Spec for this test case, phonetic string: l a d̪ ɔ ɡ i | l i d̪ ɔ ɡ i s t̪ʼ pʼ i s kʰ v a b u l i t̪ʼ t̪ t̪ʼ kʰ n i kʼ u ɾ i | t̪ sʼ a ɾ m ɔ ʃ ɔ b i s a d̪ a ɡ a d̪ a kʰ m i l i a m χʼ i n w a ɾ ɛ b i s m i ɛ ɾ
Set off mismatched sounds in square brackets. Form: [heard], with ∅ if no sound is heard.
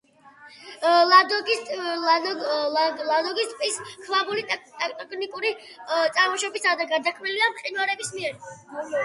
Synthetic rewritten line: l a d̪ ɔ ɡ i | l [a] d̪ ɔ ɡ i s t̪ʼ pʼ i s kʰ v a b u l i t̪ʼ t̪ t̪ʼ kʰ n i kʼ u ɾ i | t̪ sʼ a ɾ m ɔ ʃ ɔ b i s a d̪ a ɡ a d̪ a kʰ m i l i a m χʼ i n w a ɾ ɛ b i s m i ɛ ɾ

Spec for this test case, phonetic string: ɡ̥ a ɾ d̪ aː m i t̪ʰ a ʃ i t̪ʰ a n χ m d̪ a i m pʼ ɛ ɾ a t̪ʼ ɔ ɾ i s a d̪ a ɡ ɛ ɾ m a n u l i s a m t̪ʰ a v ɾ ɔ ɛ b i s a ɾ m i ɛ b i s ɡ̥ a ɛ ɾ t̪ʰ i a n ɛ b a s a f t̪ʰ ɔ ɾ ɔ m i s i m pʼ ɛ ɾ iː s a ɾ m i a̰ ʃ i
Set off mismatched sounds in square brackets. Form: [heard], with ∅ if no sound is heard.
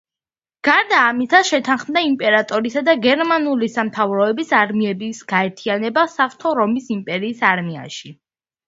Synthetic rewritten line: ɡ̥ a ɾ d̪ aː m i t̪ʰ a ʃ [ɛ] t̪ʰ a n χ m d̪ a i m pʼ ɛ ɾ a t̪ʼ ɔ ɾ i s a d̪ a ɡ ɛ ɾ m a n u l i s a m t̪ʰ a v ɾ ɔ ɛ b i s a ɾ m i ɛ b i s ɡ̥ a ɛ ɾ t̪ʰ i a n ɛ b a s a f t̪ʰ ɔ ɾ ɔ m i s i m pʼ ɛ ɾ iː s a ɾ m i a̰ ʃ i

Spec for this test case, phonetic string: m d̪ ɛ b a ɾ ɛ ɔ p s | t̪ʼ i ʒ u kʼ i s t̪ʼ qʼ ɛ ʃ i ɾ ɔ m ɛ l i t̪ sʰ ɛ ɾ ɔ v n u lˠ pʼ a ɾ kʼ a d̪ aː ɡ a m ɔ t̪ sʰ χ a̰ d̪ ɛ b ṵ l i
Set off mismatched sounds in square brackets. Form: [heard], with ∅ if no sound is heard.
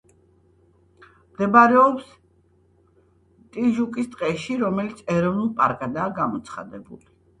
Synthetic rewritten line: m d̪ ɛ b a ɾ ɛ ɔ p s | t̪ʼ i ʒ u kʼ i s t̪ʼ qʼ ɛ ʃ i ɾ ɔ m ɛ l i t̪ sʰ ɛ ɾ ɔ v n u lˠ pʼ a ɾ kʼ a d̪ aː ɡ a m ɔ t̪ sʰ χ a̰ d̪ ɛ b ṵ l i

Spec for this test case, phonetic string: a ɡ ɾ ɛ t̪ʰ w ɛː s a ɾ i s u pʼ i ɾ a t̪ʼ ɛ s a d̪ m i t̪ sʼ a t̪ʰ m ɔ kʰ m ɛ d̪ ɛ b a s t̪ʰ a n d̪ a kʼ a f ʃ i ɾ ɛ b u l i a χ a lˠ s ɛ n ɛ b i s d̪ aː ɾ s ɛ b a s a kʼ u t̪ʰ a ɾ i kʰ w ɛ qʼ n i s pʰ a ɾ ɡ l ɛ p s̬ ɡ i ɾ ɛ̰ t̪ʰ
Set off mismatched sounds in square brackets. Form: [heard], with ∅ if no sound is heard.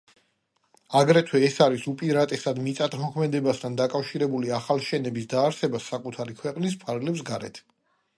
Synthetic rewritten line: a ɡ ɾ ɛ t̪ʰ w ɛː s a ɾ i s u pʼ i ɾ a t̪ʼ ɛ s a d̪ m i t̪ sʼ a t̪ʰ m ɔ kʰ m ɛ d̪ ɛ b a s t̪ʰ a n d̪ a kʼ a f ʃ i ɾ ɛ b u l i a χ a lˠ [ʃ] ɛ n ɛ b i s d̪ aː ɾ s ɛ b a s a kʼ u t̪ʰ a ɾ i kʰ w ɛ qʼ n i s pʰ a ɾ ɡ l ɛ p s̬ ɡ [a] ɾ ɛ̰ t̪ʰ

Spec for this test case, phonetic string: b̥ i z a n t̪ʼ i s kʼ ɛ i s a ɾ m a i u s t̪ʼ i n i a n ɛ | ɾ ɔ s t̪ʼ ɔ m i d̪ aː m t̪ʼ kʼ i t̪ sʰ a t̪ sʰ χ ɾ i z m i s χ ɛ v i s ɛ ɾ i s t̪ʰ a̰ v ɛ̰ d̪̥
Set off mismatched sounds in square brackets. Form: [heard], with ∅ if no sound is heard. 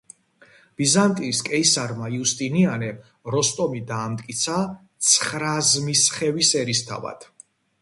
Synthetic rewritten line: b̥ i z a n t̪ʼ i s kʼ ɛ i s a ɾ m a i u s t̪ʼ i n i a n ɛ | ɾ ɔ s t̪ʼ ɔ m i d̪ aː m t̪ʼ kʼ i t̪ sʰ a t̪ sʰ χ ɾ [a] z m i s χ ɛ v i s ɛ ɾ i s t̪ʰ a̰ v [a̰] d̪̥

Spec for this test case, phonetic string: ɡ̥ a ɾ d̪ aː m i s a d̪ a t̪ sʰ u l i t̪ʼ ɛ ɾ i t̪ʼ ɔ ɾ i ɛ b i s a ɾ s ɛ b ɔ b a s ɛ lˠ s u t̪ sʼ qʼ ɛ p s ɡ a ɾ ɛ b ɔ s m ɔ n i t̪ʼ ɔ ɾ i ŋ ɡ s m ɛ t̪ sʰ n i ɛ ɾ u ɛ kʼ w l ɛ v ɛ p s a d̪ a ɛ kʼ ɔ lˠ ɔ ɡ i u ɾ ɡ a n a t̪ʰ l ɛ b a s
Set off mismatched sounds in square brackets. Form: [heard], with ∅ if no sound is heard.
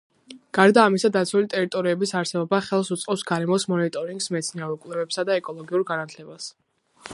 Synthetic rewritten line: ɡ̥ a ɾ d̪ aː m i s a d̪ a t̪ sʰ u l i t̪ʼ ɛ ɾ i t̪ʼ ɔ ɾ i ɛ b i s a ɾ s ɛ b ɔ b a [χ] ɛ lˠ s u t̪ sʼ qʼ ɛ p s ɡ a ɾ ɛ [m] ɔ s m ɔ n i t̪ʼ ɔ ɾ i ŋ ɡ s m ɛ t̪ sʰ n i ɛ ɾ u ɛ kʼ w l ɛ v ɛ p s a d̪ a ɛ kʼ ɔ lˠ ɔ ɡ i u ɾ ɡ a n a t̪ʰ l ɛ b a s

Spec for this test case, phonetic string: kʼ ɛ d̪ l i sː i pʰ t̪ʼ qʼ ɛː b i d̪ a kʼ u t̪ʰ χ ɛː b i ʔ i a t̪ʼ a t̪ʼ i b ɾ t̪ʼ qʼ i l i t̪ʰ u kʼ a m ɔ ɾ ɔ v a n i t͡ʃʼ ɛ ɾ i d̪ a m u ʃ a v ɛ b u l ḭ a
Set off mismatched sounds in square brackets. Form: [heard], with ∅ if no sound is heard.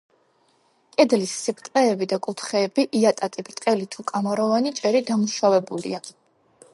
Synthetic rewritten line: kʼ ɛ d̪ l i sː i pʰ t̪ʼ qʼ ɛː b i d̪ a kʼ u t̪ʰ χ ɛː b i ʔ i a t̪ʼ a t̪ʼ i b ɾ t̪ʼ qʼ [ɛ] l i t̪ʰ u kʼ a m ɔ ɾ ɔ v a n i t͡ʃʼ ɛ ɾ i d̪ a m u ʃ a v ɛ b u l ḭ a

